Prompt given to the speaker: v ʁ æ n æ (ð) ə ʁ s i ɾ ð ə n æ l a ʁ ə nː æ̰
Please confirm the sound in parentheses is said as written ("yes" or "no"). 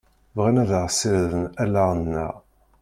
yes